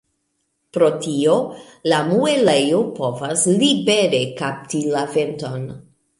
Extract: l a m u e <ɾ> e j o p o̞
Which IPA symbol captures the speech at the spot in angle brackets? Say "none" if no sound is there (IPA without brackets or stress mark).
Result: l